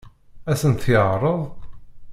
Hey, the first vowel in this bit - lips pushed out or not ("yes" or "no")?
no